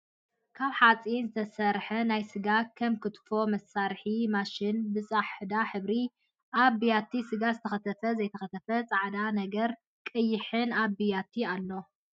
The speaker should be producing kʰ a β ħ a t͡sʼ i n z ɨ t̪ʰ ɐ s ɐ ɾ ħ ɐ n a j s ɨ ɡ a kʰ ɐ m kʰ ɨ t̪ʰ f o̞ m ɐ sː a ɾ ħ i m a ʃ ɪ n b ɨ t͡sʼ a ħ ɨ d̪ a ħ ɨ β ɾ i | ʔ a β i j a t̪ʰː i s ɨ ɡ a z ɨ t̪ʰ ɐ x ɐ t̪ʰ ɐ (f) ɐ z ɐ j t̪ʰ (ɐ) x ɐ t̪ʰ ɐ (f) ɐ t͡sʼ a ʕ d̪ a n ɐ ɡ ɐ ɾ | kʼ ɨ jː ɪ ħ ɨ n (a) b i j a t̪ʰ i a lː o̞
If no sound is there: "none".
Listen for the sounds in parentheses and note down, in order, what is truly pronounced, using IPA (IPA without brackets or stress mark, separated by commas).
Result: f, ɐ, f, a